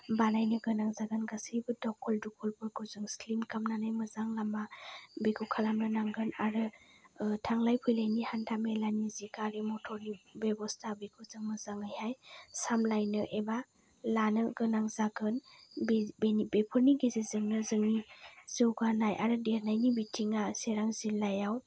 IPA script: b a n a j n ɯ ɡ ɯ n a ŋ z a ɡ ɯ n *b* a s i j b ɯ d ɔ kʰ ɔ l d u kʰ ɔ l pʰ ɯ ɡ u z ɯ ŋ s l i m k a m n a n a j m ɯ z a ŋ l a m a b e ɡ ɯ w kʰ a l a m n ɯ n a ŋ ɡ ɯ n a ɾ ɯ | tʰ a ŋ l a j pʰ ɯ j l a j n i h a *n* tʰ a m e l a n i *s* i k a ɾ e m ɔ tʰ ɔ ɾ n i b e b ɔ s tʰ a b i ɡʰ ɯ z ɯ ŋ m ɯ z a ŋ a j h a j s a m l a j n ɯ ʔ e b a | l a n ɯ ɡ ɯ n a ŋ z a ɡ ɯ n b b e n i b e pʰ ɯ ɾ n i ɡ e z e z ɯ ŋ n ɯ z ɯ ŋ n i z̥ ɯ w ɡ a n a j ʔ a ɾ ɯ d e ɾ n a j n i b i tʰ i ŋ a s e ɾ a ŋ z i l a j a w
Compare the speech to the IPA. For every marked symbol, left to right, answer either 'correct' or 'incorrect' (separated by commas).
incorrect, correct, incorrect